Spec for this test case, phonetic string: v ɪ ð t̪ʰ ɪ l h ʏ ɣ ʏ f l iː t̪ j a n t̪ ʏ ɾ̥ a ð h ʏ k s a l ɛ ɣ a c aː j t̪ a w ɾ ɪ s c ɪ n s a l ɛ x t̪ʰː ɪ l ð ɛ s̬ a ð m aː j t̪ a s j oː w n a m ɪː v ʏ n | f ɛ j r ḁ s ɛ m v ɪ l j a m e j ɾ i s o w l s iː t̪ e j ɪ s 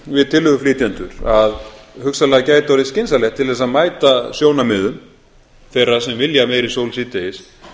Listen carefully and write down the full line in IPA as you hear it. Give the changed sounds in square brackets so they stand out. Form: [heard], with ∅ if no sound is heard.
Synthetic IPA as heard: v ɪ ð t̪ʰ ɪ l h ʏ ɣ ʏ f l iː t̪ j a n t̪ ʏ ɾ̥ a ð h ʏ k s a l ɛ ɣ a c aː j t̪ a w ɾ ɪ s c ɪ n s a l ɛ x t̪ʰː ɪ l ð ɛ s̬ a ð m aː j t̪ a s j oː w n a m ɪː [ð] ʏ [m] | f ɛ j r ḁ s ɛ m v ɪ l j a m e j ɾ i s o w l s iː t̪ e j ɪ s

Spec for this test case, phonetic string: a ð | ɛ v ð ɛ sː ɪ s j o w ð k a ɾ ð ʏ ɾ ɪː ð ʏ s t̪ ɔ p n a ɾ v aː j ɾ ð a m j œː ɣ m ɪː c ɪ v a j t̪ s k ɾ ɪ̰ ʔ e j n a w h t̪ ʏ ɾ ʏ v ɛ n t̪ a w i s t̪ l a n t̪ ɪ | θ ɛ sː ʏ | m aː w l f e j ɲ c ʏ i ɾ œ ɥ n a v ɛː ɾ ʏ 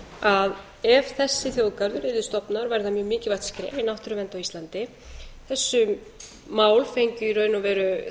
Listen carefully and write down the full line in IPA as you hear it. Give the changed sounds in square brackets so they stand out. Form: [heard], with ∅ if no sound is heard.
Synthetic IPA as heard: a ð | ɛ v [θ] ɛ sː ɪ [θ] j o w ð k a ɾ ð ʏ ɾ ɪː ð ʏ s t̪ ɔ p n a ɾ v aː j ɾ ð a m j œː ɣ m ɪː c ɪ v a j t̪ s k ɾ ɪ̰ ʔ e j n a w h t̪ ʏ ɾ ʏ v ɛ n t̪ a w i s t̪ l a n t̪ ɪ | θ ɛ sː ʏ | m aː w l f e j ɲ c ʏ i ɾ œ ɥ n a v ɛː ɾ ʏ

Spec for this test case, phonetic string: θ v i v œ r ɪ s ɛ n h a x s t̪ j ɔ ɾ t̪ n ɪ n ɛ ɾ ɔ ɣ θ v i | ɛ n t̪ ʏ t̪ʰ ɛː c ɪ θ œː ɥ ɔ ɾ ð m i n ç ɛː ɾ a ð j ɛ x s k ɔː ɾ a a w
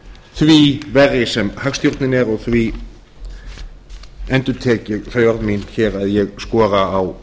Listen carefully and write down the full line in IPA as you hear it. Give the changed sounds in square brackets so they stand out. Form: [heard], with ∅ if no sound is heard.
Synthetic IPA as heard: θ v i v [ɛ] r ɪ s ɛ [m] h a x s t̪ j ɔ ɾ t̪ n ɪ n ɛ ɾ ɔ ɣ θ v i | ɛ n t̪ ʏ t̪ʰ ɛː c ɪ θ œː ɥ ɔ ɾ ð m i n ç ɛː ɾ a ð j ɛ [ɣ] s k ɔː ɾ a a w

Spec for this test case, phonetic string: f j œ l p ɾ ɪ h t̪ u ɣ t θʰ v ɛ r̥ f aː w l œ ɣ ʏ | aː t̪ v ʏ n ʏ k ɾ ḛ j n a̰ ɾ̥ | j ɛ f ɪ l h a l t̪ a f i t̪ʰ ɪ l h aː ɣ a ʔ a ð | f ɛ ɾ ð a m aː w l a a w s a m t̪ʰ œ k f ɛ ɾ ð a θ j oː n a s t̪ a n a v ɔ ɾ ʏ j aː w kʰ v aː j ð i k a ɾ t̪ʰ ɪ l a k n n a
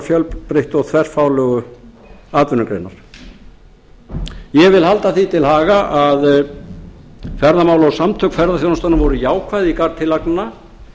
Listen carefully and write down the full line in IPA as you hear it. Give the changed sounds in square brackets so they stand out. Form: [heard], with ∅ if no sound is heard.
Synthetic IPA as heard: f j œ l p ɾ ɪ h t̪ [ɔ] ɣ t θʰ v ɛ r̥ f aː w l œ ɣ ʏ | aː t̪ v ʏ n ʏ k ɾ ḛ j n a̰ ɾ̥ | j ɛ [v] ɪ l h a l t̪ a [θ] i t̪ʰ ɪ l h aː ɣ a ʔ a ð | f ɛ ɾ ð a m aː w l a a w s a m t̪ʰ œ k f ɛ ɾ ð a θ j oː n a s t̪ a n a v ɔ ɾ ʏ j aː w kʰ v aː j ð i k a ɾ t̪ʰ ɪ l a k n n a

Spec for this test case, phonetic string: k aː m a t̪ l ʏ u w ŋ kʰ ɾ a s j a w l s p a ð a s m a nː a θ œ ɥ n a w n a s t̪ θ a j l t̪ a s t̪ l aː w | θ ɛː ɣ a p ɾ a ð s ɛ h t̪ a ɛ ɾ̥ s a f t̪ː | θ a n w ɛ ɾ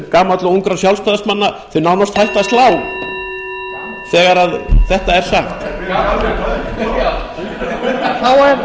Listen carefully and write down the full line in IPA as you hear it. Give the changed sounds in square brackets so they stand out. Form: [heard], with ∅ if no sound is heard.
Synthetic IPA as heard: k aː m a t̪ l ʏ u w ŋ [k] ɾ a s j a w l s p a ð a s m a nː a θ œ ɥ n a w n a s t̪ [h] a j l t̪ a s t̪ l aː w | θ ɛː ɣ a [∅] ɾ a ð [θ] ɛ h t̪ a ɛ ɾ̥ s a [x] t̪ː | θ a [∅] w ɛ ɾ

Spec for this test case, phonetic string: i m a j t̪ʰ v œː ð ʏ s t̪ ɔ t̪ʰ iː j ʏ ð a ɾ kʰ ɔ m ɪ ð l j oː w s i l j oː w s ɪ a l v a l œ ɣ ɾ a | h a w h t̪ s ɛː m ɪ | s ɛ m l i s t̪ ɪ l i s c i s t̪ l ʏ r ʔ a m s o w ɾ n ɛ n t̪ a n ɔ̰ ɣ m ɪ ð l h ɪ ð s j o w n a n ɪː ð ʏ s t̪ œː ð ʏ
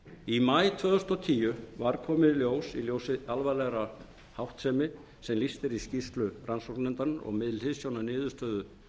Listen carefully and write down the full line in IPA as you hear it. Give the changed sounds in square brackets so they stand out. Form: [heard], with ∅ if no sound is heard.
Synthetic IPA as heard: i m a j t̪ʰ v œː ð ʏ s t̪ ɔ t̪ʰ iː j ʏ [v] a ɾ kʰ [ɔː] m ɪ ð l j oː w s i l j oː w s ɪ a l v a l [ɛ] ɣ ɾ a | h a w h t̪ s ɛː m ɪ | s ɛ m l i s t̪ ɪ [ɾ] i s c i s t̪ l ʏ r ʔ a [n] s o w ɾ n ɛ n t̪ a n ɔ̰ ɣ m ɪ ð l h ɪ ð s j o w n a n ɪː ð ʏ s t̪ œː ð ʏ

